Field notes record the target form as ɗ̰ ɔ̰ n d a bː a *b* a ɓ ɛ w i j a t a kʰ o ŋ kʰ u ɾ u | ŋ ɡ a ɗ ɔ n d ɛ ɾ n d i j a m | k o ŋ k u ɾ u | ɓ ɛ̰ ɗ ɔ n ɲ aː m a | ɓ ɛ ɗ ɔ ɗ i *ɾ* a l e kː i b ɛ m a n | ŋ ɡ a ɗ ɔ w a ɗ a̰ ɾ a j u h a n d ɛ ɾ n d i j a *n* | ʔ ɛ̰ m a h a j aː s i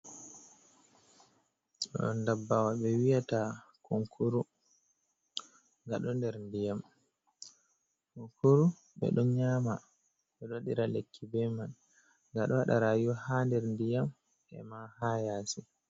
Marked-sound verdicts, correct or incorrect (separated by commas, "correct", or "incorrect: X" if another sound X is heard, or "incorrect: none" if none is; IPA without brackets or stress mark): incorrect: w, correct, incorrect: m